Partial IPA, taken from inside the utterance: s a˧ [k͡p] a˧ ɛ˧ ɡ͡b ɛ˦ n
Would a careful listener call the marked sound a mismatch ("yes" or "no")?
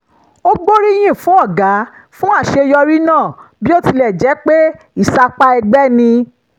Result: no